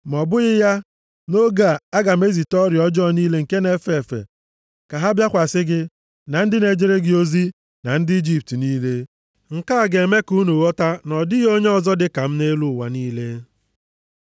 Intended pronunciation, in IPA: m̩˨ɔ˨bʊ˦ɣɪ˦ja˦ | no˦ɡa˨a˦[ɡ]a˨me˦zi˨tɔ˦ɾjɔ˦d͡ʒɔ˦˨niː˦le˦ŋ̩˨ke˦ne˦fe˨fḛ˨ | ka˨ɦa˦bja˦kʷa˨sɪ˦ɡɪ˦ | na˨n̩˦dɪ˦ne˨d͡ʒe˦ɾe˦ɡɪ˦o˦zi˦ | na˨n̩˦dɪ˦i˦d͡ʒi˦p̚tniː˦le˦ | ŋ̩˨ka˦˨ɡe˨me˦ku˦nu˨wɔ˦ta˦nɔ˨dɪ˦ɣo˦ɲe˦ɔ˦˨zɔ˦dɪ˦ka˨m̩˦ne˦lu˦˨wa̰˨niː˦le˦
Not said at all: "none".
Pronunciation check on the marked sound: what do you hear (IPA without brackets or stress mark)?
ɡ